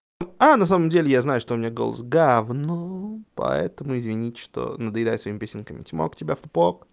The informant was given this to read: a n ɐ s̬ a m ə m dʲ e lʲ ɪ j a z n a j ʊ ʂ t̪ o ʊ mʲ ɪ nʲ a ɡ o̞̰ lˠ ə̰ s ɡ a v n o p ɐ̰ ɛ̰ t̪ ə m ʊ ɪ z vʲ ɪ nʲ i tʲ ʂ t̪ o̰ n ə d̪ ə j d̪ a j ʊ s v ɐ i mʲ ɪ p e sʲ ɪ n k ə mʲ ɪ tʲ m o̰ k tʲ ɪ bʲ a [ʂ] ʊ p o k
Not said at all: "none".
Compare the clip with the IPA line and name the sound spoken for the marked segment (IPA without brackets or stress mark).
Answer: f